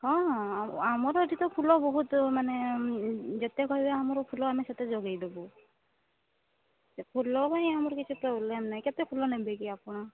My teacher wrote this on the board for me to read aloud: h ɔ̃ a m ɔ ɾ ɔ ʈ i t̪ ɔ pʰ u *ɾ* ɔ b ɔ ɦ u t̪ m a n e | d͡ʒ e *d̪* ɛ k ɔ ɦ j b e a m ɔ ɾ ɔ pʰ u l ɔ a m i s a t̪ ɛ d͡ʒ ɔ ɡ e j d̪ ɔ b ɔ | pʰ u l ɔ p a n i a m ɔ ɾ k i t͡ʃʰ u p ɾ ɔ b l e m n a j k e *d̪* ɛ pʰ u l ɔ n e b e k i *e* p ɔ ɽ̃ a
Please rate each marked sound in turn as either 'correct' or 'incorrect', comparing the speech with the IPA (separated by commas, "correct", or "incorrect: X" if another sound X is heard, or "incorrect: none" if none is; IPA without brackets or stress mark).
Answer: incorrect: l, incorrect: t̪, incorrect: t̪, incorrect: a